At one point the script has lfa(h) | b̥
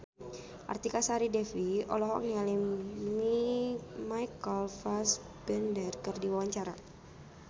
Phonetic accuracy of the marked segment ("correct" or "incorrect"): incorrect